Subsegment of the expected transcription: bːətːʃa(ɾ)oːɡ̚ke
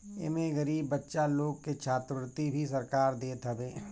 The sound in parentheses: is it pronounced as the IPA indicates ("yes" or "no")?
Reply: no